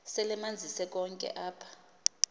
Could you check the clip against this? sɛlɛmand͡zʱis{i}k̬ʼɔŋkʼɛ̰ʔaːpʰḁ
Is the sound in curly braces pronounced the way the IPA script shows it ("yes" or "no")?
no